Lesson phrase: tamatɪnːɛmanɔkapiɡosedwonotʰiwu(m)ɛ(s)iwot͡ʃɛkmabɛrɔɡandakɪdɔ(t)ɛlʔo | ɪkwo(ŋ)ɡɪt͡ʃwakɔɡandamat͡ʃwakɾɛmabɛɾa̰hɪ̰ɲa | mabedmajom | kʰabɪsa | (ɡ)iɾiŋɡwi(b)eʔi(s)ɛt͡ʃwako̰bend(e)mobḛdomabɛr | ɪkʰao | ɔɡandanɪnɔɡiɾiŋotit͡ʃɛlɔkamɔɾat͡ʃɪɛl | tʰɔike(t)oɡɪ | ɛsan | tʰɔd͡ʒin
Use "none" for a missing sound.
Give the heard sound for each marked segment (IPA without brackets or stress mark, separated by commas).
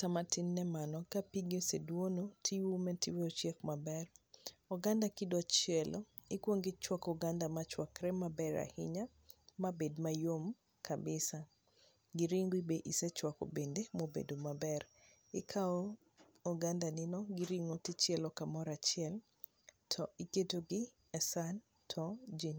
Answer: m, t, t͡ʃ, ŋ, ɡ, b, s, e, t